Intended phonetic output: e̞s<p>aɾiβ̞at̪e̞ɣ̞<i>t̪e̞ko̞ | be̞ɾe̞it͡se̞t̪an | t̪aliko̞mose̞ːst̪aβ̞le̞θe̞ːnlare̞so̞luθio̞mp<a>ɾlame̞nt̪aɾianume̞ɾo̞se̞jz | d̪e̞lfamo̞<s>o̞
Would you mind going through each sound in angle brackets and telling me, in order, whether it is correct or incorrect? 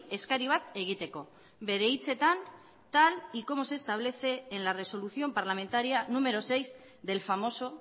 incorrect, correct, correct, correct

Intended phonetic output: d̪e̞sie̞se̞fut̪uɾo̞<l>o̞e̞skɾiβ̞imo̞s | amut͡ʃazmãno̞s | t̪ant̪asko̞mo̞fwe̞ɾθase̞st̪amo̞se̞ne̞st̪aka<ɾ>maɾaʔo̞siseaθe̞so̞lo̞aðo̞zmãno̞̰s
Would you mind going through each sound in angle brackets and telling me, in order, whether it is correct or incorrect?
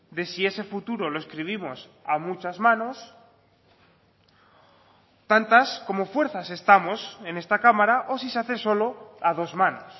correct, incorrect

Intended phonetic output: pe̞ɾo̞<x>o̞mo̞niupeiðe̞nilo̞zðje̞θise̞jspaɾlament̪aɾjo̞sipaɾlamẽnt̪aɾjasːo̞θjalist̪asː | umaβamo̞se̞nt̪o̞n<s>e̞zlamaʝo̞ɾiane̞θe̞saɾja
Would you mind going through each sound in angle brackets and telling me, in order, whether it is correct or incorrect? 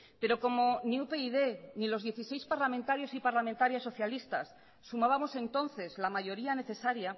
incorrect, incorrect

